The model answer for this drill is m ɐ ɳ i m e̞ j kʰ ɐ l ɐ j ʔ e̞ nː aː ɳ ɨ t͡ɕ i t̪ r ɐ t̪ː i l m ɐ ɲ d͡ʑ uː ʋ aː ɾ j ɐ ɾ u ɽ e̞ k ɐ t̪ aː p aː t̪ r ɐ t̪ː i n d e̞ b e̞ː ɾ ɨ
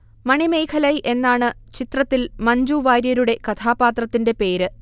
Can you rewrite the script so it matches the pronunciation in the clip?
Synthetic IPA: m ɐ ɳ i m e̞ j kʰ ɐ l ɐ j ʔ e̞ nː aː ɳ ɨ t͡ɕ i t̪ r ɐ t̪ː i l m ɐ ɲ d͡ʑ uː ʋ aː ɾ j ɐ ɾ u ɽ e̞ k ɐ t̪ʰ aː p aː t̪ r ɐ t̪ː i n d e̞ p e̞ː ɾ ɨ